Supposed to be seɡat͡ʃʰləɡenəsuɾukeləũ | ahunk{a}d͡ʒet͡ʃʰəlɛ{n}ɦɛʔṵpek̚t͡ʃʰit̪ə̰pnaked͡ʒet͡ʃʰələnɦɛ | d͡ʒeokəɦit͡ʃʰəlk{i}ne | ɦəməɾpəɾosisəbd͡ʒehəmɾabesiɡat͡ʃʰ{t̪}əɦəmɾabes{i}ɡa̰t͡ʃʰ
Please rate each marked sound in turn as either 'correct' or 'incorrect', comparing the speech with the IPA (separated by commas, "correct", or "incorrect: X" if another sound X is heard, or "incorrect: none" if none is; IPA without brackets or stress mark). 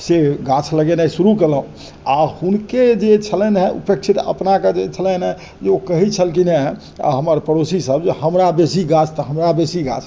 incorrect: e, correct, correct, correct, correct